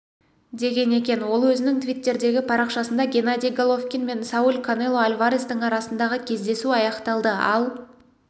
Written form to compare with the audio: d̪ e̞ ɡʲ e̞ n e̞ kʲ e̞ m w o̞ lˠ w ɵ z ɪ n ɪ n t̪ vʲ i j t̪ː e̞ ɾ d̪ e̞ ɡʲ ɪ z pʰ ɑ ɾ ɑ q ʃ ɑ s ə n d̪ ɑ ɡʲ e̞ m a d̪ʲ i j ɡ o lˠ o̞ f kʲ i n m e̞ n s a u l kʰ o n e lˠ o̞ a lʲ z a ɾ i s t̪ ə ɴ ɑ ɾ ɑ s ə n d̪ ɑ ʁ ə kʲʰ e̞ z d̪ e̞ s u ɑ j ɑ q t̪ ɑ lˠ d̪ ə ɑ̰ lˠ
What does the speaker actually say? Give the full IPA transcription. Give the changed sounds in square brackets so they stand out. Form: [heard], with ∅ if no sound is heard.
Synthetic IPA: d̪ e̞ ɡʲ e̞ n e̞ kʲ e̞ [n] w o̞ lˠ w ɵ z ɪ n ɪ [ŋ] t̪ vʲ i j t̪ː e̞ ɾ d̪ e̞ ɡʲ ɪ [∅] pʰ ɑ ɾ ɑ q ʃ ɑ s ə n d̪ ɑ ɡʲ e̞ [n] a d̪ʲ i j ɡ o lˠ o̞ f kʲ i n m e̞ n s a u l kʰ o n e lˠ o̞ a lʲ [v] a ɾ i s t̪ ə ɴ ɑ ɾ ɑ s ə n d̪ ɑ ʁ ə kʲʰ e̞ z d̪ e̞ s u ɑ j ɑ q t̪ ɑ lˠ d̪ ə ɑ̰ lˠ